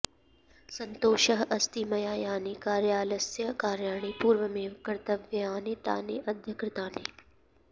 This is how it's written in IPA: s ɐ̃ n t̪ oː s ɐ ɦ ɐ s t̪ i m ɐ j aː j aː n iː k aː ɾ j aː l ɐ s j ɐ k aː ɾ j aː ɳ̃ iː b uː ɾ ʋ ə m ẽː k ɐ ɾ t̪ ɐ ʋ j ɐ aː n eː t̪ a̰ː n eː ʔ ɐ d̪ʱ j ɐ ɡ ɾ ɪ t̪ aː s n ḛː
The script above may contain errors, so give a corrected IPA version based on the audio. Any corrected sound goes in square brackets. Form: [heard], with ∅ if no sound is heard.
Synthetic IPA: s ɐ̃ n t̪ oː [ʃ] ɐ ɦ ɐ s t̪ i m ɐ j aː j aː n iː k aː ɾ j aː l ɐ s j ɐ k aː ɾ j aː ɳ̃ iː [p] uː ɾ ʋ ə m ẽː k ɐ ɾ t̪ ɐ ʋ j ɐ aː n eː t̪ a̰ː n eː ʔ ɐ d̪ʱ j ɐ [k] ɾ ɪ t̪ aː [∅] n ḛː